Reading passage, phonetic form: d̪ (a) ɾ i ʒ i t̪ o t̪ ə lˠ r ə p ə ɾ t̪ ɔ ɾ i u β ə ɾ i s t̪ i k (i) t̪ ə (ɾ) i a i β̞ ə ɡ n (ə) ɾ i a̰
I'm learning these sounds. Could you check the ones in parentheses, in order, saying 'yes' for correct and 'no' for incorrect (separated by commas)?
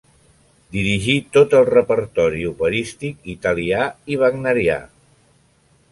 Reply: no, yes, no, yes